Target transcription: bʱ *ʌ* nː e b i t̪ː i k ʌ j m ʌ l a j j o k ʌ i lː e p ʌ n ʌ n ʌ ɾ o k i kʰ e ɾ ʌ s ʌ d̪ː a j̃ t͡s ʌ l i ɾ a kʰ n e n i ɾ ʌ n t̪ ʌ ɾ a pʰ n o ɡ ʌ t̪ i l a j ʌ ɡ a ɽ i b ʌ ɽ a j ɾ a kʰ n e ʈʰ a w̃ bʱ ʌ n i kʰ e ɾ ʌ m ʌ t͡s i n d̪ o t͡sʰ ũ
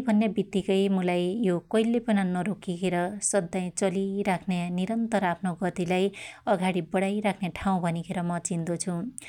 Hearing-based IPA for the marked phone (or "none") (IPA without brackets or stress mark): ʌ